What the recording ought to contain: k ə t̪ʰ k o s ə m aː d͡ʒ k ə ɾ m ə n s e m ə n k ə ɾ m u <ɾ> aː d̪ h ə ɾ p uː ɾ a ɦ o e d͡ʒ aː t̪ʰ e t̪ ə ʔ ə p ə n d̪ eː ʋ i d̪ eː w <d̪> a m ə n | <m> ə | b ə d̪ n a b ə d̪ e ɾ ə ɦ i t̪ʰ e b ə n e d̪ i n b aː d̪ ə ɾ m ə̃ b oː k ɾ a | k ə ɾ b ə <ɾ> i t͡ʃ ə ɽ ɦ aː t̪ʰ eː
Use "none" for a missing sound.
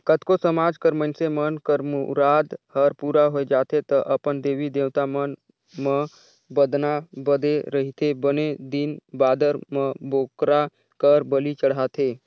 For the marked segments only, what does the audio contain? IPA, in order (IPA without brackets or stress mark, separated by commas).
ɾ, t̪, m, l